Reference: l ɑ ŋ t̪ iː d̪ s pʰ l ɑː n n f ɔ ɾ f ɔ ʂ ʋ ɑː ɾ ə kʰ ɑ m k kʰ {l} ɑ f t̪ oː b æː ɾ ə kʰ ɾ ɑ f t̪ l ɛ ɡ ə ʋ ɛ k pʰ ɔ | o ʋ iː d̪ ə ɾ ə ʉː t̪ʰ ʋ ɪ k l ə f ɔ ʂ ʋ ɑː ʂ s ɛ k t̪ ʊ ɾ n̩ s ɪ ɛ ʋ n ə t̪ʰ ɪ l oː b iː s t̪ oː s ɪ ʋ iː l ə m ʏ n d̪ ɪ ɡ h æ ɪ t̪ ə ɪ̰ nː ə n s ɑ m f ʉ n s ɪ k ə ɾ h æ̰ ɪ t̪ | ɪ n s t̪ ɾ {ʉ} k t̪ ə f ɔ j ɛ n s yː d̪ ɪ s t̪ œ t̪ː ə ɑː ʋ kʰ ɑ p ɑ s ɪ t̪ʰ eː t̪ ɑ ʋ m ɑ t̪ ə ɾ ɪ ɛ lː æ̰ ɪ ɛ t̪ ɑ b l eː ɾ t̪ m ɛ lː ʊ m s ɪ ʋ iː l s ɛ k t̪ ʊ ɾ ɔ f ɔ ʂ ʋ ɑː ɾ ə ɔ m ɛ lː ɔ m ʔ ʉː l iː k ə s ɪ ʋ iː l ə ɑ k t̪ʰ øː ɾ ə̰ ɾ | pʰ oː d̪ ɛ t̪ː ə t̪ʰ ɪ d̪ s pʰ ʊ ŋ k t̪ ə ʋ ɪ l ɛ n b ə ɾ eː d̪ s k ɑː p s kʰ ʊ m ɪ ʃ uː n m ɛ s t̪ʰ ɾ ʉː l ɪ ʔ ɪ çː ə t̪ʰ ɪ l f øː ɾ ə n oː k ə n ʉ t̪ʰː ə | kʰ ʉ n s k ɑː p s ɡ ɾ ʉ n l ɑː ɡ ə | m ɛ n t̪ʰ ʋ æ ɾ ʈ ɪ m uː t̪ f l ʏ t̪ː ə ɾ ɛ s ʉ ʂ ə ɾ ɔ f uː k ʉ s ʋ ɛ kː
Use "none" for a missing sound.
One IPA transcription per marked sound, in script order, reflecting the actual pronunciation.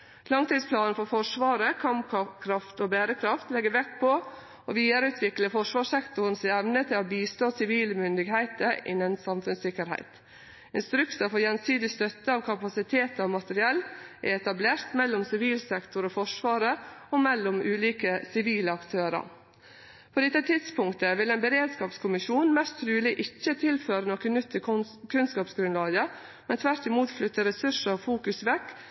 ɾ, ʉ

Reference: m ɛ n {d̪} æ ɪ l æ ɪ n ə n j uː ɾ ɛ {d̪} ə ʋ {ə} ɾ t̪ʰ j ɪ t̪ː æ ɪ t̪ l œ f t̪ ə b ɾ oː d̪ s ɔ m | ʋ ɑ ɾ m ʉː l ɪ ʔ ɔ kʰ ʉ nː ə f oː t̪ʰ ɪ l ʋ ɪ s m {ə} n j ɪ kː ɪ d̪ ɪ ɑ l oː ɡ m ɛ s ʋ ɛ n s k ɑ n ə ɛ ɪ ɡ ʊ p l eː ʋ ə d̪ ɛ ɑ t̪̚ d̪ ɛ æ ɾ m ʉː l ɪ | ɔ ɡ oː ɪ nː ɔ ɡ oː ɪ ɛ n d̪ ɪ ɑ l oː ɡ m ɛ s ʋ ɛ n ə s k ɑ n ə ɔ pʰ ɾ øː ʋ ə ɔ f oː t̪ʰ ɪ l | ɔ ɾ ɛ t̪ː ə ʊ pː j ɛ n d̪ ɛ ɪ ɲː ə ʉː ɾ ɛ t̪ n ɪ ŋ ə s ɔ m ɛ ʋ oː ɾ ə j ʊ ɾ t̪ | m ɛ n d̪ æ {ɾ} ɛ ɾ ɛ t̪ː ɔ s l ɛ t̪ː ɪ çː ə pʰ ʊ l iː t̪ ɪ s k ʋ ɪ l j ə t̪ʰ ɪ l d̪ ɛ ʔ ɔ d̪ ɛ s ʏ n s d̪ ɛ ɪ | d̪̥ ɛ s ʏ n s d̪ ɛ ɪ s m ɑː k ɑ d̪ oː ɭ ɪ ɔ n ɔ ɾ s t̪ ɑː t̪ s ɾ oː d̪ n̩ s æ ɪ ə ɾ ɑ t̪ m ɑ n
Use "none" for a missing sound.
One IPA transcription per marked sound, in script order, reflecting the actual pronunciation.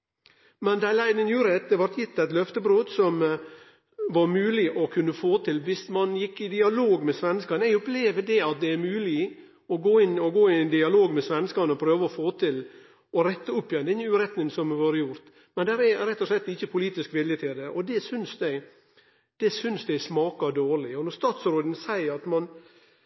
d̪, t̪, ɑ, ɑ, ɾ

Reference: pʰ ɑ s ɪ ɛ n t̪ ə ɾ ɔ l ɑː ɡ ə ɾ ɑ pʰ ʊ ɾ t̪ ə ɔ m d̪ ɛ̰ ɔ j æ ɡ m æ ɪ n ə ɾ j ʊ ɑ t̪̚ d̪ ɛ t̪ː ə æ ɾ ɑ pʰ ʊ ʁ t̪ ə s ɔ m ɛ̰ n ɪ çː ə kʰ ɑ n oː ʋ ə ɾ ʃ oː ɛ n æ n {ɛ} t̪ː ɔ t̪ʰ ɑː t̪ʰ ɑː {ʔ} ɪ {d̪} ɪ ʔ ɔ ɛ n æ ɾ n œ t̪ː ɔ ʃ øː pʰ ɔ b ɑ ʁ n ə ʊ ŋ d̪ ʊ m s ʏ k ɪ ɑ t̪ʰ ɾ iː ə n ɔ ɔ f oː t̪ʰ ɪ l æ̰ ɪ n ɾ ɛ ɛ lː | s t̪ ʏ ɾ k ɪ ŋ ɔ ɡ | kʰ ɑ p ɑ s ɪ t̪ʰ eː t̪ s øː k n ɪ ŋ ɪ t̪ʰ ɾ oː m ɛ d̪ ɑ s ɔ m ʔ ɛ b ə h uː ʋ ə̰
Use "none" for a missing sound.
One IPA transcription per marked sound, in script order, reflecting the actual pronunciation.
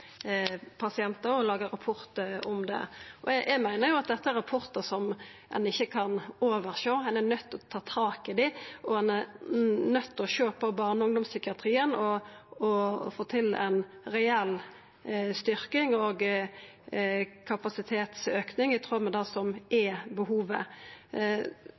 œ, k, d̪

